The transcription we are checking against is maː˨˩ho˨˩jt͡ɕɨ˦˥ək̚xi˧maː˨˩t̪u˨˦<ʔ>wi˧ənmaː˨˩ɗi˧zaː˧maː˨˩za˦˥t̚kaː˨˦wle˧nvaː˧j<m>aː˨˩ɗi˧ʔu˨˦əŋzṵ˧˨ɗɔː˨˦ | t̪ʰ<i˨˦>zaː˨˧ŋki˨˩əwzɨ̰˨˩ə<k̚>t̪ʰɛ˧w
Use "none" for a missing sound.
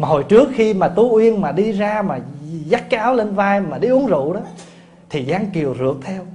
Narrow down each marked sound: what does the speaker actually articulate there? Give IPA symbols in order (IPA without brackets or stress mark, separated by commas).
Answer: ʔ, m, i˨˩, k̚